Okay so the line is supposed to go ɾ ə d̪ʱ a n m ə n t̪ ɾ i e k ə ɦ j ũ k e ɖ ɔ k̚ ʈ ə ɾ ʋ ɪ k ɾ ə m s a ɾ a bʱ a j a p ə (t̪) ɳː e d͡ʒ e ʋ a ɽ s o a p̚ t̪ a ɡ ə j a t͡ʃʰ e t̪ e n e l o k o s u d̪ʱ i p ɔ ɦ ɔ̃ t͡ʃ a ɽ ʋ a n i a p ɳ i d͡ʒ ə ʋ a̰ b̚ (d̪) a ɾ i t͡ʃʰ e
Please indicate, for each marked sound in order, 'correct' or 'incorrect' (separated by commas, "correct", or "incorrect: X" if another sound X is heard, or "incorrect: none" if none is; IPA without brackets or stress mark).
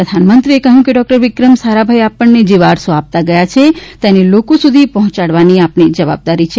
incorrect: none, correct